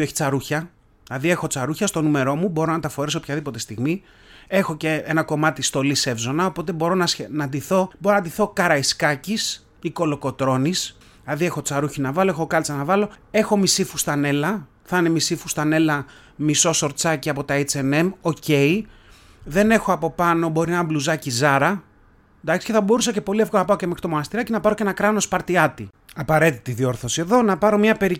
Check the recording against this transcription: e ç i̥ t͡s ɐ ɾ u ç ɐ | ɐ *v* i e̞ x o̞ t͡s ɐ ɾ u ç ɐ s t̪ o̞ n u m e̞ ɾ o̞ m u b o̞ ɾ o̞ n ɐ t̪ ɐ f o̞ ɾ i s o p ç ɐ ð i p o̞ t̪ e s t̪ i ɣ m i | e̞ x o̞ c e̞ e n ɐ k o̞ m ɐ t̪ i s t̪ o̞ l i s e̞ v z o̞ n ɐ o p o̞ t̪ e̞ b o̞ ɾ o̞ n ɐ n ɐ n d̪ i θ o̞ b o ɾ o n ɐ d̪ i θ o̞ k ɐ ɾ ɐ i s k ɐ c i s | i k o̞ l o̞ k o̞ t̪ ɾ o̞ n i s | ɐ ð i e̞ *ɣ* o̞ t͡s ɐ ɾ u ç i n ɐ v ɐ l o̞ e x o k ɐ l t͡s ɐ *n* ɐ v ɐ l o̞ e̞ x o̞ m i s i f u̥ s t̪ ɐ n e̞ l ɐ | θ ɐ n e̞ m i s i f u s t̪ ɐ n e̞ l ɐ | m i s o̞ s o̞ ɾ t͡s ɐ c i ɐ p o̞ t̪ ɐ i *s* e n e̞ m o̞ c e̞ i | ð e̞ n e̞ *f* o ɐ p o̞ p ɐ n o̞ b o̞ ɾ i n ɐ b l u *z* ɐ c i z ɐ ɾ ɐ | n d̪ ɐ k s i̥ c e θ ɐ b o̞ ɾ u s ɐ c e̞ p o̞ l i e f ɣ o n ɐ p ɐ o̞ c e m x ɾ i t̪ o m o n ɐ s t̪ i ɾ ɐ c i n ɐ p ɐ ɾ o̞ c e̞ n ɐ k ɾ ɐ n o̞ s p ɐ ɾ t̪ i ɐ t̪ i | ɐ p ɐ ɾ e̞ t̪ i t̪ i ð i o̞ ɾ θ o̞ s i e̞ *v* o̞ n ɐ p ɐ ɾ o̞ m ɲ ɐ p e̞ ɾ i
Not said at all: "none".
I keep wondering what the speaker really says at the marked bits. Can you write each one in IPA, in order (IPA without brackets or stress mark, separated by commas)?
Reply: ð, x, n, t͡s, x, z, ð